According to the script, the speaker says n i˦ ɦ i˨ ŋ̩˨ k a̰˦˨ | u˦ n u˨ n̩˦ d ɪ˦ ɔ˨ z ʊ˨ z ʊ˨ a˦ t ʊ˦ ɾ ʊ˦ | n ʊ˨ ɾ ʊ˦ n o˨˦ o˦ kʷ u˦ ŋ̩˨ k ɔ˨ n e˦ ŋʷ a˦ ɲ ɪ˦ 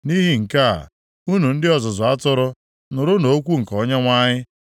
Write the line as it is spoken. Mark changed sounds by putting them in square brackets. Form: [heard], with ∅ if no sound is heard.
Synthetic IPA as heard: n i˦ ɦ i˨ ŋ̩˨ k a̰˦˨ | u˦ n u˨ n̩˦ d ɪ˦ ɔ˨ z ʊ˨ z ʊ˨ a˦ t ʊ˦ ɾ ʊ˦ | n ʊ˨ ɾ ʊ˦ n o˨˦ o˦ kʷ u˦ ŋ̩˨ k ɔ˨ [ɲ] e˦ ŋʷ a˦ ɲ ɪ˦